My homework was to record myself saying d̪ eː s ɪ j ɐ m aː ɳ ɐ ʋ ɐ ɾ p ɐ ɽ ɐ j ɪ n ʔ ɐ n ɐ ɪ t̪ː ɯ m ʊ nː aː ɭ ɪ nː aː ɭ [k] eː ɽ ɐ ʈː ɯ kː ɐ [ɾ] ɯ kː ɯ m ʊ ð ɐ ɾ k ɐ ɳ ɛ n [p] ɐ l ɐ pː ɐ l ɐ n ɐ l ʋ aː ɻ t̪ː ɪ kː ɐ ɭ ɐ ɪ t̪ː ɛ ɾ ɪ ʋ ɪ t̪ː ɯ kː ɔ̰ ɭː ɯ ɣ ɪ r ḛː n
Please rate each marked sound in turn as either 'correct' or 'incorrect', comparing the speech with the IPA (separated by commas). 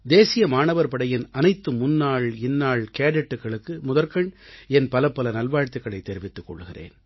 correct, incorrect, correct